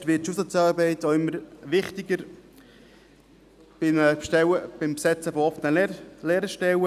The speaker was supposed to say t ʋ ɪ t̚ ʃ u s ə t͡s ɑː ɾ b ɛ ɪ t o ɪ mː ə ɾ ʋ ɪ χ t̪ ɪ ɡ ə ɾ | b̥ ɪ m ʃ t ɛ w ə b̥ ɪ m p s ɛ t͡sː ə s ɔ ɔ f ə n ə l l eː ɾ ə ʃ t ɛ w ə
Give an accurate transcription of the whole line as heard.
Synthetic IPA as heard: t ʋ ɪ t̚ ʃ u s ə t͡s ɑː ɾ b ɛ ɪ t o ɪ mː ə ɾ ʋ ɪ χ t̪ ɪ ɡ ə ɾ | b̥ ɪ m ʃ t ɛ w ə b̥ ɪ m p s ɛ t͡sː ə f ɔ ɔ f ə n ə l l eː ɾ ə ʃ t ɛ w ə